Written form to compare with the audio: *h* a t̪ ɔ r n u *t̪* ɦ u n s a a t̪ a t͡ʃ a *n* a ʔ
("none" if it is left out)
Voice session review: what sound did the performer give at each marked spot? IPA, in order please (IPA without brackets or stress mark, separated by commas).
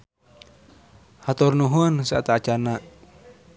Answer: h, none, n